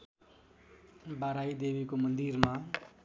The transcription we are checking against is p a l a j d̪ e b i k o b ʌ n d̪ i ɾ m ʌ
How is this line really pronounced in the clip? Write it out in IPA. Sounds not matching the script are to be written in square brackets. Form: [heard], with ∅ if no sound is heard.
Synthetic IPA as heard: [b] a [ɾ] a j d̪ e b i k o [m] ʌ n d̪ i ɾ m [a]